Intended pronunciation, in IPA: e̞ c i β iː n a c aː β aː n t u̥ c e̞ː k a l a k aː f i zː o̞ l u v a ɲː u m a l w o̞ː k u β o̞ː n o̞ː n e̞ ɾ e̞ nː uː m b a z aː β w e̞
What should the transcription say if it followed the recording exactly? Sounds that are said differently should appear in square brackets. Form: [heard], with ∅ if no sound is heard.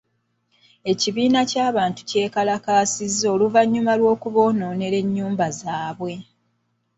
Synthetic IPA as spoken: e̞ c i β iː n a c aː β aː n t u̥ c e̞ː k a l a k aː [s] i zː o̞ l u v a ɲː u m a l w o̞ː k u β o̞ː n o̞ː n e̞ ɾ e̞ [ɲː] uː m b a z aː β w e̞